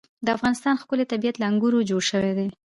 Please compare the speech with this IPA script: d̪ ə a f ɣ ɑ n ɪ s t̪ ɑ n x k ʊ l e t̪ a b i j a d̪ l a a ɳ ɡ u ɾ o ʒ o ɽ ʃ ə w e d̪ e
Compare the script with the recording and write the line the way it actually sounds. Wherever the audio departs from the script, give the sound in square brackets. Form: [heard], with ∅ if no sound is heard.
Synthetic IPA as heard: d̪ ə a f ɣ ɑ n ɪ s t̪ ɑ n x k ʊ l e t̪ a b i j a [t̪] l a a [ŋ] ɡ u ɾ o [d͡ʒ] o ɽ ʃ ə w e d̪ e

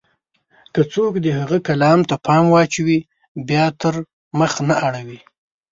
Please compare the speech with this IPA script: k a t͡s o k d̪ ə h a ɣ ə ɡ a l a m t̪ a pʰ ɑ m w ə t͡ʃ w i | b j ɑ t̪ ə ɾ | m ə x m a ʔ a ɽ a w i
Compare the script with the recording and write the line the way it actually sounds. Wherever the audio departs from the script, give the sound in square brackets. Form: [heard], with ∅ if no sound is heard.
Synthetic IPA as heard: k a t͡s o k d̪ ə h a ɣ ə [k] a l [ɑ] m t̪ a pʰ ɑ m w [ɑ] t͡ʃ w i | b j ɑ t̪ ə ɾ | m ə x [n] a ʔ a ɽ a w i

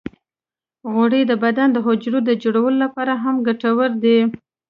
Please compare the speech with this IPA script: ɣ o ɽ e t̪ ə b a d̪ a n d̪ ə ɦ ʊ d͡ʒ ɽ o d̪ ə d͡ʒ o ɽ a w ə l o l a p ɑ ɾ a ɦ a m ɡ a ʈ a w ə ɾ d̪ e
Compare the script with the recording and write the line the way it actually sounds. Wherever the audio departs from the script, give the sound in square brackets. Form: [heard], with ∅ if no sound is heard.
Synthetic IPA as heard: ɣ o ɽ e [d̪] ə b a d̪ a n d̪ ə ɦ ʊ d͡ʒ [ɾ] o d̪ ə d͡ʒ o ɽ a w ə l o l a p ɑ ɾ a ɦ a m ɡ a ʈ a w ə ɾ d̪ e

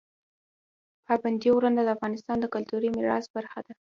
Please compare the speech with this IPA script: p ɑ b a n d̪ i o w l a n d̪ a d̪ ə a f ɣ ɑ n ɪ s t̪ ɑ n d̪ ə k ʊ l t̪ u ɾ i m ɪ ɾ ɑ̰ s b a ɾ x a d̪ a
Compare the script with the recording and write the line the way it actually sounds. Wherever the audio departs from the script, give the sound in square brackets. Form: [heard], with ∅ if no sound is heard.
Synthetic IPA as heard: p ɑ b a n d̪ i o w [ɾ] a n d̪ a d̪ ə a f ɣ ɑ n ɪ s t̪ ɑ n d̪ ə k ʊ l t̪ u ɾ i m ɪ ɾ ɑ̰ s b a ɾ x a d̪ a

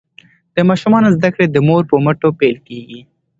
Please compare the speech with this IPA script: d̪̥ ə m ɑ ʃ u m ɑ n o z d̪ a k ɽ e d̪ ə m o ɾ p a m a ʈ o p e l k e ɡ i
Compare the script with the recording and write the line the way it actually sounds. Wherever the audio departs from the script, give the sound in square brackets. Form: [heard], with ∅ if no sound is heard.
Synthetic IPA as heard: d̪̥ ə m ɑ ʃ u m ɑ n o z d̪ a k ɽ e d̪ ə m o ɾ p [ə] m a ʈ o p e l k e ɡ i

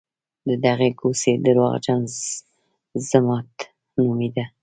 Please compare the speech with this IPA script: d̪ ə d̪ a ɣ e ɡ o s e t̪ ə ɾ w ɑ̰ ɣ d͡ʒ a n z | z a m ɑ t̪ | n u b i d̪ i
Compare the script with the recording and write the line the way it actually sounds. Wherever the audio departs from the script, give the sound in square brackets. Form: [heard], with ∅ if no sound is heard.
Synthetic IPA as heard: d̪ ə d̪ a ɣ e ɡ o s e [d̪] ə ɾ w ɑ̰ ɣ d͡ʒ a n z | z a m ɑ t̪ | n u [m] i d̪ [a]

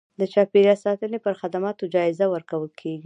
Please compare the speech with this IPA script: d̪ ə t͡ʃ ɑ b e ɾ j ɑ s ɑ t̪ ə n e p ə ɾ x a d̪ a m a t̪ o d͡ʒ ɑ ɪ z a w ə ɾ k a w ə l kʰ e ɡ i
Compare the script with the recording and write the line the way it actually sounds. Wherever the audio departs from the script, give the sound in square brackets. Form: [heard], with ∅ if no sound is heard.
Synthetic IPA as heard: d̪ ə t͡ʃ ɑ [p] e ɾ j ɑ s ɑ t̪ ə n e p ə ɾ x a d̪ a m [ɑ] t̪ o d͡ʒ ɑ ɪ z a w ə ɾ k a w ə l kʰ e ɡ i

